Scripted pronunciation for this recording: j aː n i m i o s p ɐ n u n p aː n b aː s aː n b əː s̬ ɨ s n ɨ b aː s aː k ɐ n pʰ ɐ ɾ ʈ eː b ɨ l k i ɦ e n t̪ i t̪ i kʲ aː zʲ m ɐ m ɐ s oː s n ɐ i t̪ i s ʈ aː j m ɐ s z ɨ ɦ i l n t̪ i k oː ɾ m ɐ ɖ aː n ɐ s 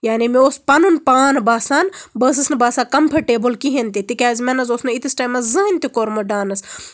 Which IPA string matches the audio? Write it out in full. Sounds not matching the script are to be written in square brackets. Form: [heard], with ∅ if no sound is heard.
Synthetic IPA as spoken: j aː n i m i o s p ɐ n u n p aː n b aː s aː n b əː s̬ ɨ s n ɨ b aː s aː k ɐ [m] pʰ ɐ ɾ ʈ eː b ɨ l k i ɦ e n t̪ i t̪ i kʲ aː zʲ m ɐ [n] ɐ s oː s n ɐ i t̪ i s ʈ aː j m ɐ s z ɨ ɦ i [∅] n t̪ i k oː ɾ m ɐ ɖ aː n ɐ s